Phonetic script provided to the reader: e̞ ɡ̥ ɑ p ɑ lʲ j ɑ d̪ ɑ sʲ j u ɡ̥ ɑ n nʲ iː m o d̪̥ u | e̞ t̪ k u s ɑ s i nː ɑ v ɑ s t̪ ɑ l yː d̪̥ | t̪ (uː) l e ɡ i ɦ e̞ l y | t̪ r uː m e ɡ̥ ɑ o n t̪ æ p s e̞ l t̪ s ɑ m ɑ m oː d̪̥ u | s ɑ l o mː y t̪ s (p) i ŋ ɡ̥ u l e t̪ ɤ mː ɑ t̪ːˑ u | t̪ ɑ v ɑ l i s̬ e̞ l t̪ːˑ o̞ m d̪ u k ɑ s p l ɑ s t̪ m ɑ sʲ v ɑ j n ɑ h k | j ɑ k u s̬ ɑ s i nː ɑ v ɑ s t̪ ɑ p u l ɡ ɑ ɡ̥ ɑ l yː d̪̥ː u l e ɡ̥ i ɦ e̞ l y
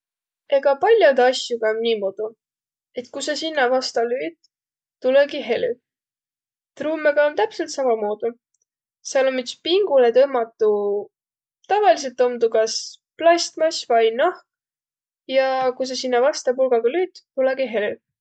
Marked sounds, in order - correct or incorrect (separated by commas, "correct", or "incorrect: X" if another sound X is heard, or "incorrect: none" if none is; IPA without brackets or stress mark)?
incorrect: u, correct